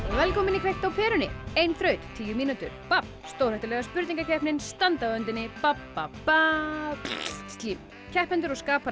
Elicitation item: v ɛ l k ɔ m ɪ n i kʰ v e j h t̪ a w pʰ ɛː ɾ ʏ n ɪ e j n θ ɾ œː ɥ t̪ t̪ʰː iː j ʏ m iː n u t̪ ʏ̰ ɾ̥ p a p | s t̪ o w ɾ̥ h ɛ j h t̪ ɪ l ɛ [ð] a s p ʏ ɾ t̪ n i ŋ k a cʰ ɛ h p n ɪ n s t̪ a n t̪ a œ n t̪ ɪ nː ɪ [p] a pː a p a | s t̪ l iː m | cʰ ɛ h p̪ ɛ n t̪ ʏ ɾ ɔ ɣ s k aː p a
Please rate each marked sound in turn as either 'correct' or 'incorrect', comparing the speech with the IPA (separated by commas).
incorrect, correct